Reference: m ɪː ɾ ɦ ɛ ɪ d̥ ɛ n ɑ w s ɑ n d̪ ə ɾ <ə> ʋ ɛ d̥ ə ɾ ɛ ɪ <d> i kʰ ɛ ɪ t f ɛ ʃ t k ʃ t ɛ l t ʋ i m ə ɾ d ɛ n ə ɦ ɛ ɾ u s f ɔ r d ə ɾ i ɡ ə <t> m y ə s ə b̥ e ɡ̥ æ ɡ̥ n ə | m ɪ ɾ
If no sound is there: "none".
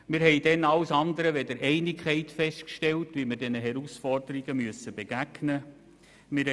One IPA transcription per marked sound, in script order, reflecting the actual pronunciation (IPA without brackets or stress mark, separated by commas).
ə, n, none